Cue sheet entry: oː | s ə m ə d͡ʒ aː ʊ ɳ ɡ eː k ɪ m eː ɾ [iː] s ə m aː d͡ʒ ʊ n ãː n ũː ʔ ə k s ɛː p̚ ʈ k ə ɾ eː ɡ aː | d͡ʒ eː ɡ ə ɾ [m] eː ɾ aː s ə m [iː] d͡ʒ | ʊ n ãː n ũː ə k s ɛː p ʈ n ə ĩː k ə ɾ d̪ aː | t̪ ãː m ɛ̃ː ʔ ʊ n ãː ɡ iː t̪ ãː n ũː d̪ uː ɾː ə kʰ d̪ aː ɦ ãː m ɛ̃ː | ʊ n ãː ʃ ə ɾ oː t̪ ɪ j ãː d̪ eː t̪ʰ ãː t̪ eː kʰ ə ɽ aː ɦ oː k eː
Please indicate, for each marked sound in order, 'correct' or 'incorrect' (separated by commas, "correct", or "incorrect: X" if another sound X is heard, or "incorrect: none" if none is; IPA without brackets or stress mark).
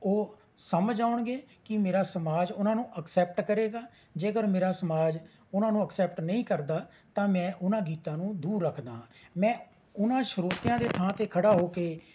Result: incorrect: aː, correct, incorrect: aː